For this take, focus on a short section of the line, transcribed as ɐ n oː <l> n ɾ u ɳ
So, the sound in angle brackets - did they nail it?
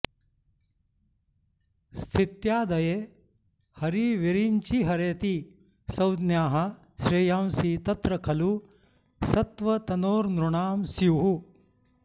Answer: no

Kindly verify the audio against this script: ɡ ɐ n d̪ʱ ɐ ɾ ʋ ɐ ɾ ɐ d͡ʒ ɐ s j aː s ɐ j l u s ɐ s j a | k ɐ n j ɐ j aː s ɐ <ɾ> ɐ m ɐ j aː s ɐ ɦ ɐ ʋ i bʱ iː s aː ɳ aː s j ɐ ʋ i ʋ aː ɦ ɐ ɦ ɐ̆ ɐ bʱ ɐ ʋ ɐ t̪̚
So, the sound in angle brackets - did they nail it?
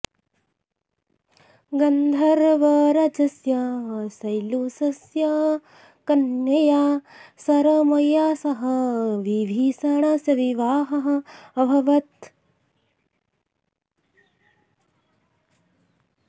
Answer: yes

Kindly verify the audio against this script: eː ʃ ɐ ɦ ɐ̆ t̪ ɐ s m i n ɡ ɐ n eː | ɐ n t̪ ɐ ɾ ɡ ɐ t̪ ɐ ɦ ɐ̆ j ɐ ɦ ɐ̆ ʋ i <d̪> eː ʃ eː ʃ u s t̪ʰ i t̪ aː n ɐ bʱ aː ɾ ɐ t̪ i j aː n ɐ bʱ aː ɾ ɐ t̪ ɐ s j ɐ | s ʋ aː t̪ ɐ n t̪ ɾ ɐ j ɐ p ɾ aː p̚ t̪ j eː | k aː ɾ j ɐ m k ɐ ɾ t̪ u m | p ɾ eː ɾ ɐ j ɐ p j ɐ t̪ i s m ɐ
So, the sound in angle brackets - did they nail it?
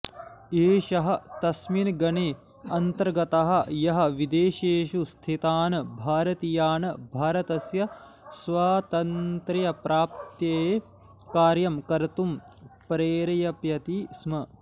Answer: yes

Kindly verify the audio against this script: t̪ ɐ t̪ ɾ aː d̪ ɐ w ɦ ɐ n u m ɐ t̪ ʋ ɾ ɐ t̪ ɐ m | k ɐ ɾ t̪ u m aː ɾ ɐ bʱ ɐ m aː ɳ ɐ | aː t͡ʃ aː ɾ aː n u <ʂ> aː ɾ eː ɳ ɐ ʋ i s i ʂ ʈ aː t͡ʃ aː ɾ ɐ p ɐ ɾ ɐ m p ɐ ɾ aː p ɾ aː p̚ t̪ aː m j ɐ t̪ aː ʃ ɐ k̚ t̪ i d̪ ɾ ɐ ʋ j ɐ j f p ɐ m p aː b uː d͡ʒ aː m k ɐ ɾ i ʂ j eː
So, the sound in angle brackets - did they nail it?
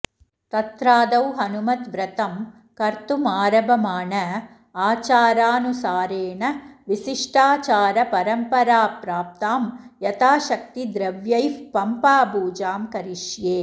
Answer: no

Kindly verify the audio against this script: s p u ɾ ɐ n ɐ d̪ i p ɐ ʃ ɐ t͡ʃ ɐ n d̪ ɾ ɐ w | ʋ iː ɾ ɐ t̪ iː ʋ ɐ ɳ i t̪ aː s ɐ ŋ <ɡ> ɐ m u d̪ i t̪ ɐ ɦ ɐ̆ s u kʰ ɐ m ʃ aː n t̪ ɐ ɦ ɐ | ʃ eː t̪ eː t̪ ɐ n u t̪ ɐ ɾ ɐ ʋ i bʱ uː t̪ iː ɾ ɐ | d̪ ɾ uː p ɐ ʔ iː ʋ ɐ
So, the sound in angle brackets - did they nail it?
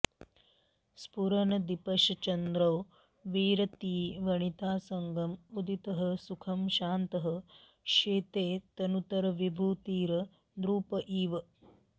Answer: yes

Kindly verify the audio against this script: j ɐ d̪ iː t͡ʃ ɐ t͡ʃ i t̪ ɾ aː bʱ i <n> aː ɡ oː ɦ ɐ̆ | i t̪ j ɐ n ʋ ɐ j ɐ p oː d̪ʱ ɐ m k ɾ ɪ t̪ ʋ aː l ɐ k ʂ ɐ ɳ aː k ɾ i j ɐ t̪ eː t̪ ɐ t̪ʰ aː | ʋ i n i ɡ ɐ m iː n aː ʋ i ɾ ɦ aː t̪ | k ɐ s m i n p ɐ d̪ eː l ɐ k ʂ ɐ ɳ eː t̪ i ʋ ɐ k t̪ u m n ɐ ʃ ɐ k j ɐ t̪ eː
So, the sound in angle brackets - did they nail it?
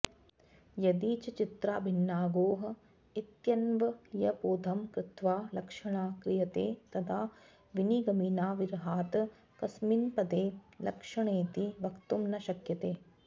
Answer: no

